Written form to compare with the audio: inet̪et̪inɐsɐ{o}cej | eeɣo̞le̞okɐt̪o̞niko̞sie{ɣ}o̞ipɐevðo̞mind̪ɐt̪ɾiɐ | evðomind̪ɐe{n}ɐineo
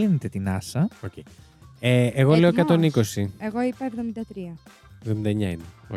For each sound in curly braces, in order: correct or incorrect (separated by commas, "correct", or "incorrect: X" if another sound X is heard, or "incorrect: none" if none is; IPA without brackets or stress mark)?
correct, correct, incorrect: ɲ